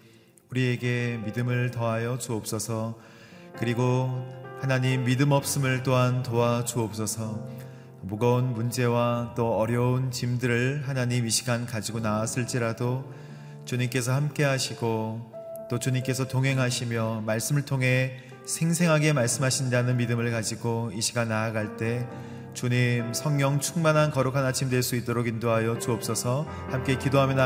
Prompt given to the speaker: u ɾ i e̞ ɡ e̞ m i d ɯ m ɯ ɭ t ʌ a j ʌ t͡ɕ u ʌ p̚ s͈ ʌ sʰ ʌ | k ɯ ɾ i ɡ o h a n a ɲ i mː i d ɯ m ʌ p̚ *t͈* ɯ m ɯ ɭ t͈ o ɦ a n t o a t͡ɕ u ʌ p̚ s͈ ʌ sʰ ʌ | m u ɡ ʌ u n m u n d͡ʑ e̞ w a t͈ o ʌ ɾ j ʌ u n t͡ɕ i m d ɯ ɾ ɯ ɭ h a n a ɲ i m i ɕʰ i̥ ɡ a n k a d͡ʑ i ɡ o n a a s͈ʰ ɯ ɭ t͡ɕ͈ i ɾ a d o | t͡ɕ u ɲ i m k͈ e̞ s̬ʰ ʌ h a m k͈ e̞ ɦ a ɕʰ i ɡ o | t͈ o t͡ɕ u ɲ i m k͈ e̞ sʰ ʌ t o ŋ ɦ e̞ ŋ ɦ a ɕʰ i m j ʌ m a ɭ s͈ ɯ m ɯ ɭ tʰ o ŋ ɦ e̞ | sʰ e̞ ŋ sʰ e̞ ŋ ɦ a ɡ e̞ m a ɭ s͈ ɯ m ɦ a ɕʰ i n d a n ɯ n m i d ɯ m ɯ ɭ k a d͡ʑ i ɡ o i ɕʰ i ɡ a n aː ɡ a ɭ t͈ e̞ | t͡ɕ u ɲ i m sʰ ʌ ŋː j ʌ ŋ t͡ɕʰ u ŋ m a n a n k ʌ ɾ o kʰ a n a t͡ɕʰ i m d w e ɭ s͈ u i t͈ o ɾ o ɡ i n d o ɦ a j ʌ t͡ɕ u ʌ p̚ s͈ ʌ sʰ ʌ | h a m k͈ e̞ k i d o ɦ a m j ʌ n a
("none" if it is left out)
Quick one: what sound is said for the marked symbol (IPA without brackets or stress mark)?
s͈